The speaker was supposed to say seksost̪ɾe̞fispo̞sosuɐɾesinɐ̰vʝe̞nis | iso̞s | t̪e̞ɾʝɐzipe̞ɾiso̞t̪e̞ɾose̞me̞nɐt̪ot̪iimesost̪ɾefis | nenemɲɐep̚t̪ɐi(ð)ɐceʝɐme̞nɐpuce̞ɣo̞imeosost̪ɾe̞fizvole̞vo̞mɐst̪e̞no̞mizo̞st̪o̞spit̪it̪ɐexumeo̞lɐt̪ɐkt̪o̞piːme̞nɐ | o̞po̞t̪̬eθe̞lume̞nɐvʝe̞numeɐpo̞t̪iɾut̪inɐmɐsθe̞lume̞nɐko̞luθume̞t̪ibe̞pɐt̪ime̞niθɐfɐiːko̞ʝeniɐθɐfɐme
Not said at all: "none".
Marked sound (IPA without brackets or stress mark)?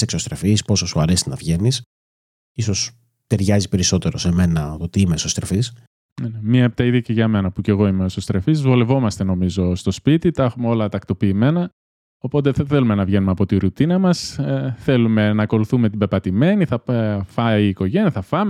ð